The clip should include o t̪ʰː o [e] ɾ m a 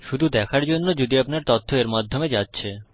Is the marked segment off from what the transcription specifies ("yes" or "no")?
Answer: no